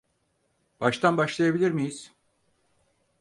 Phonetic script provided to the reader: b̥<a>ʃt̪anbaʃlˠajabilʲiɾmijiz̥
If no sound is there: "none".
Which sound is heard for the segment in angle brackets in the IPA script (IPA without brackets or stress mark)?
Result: a